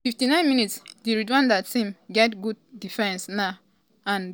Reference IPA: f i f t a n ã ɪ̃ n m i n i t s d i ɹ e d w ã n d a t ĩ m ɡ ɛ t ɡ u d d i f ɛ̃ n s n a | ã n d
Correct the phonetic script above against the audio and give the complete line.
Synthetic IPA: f i f t i n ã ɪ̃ n m i n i t s d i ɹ i d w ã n d a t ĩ m ɡ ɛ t ɡ u d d i f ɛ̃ n s n a | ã n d